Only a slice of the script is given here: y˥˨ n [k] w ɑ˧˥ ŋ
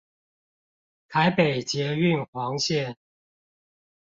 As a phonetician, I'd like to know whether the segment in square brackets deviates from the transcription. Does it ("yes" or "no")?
yes